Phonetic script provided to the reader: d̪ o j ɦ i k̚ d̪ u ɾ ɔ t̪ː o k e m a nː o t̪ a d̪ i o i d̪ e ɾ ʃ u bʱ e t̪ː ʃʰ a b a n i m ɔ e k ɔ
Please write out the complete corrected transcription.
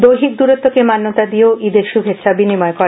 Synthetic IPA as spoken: d̪ o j ɦ i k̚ d̪ u ɾ o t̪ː o k e m a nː o t̪ a d̪ i o i d̪ e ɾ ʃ u bʱ e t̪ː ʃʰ a b i n i m ɔ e k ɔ